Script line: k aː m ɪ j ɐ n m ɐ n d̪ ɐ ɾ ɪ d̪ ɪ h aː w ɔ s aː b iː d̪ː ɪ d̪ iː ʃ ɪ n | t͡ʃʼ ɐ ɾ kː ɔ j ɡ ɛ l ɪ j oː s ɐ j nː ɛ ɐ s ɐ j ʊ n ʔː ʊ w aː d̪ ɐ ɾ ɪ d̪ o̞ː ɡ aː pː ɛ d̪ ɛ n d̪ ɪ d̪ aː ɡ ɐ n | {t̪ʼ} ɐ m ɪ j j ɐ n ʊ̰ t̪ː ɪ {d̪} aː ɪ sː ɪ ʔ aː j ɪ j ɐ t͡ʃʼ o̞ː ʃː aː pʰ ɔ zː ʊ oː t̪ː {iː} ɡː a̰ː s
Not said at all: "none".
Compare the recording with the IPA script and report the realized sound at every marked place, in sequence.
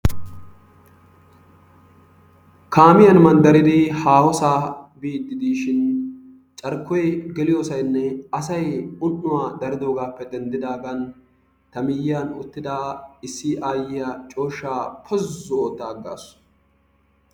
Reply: t̪, d̪, aː

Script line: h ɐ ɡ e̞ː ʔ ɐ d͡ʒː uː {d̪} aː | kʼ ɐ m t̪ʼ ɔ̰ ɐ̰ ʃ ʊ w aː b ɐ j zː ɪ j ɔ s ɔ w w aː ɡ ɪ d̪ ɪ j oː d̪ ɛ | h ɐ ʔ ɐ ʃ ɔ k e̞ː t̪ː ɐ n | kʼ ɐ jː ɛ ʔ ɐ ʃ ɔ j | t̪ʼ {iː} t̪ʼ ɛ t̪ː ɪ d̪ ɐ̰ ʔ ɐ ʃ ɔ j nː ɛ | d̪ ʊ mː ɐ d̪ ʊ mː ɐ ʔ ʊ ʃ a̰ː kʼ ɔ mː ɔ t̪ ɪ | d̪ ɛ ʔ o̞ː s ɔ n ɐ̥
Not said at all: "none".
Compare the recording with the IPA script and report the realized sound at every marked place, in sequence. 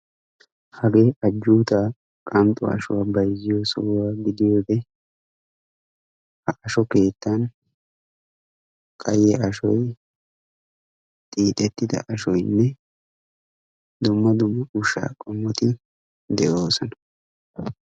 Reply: t̪, iː

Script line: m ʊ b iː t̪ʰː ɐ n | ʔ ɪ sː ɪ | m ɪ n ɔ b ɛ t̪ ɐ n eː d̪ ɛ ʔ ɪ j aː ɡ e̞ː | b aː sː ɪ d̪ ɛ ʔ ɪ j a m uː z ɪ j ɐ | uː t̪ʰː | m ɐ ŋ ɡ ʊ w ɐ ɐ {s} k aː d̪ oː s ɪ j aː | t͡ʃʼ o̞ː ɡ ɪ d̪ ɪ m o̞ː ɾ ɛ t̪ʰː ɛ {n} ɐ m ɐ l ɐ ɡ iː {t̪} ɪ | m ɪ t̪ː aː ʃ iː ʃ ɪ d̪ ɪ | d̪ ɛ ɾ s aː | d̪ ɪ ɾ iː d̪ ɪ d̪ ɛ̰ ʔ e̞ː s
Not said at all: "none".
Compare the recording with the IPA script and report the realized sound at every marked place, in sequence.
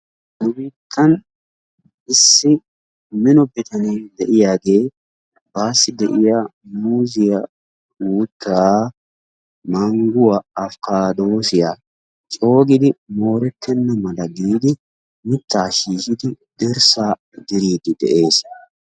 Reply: f, nː, d̪

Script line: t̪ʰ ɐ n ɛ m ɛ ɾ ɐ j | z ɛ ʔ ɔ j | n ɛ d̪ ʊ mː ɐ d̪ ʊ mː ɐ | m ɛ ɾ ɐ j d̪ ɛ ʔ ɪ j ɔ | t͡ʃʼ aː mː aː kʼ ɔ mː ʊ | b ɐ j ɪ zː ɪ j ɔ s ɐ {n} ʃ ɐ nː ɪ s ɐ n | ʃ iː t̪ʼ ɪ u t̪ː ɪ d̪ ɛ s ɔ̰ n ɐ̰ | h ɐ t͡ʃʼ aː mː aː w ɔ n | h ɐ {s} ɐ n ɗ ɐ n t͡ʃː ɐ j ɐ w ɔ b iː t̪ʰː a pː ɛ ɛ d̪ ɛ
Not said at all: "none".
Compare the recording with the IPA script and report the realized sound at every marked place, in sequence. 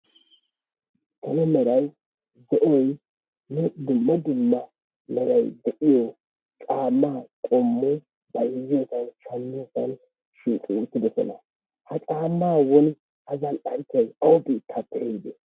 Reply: n, z

